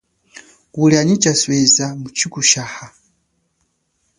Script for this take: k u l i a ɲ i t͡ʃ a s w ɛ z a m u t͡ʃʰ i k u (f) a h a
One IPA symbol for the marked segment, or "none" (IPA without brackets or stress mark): ʃ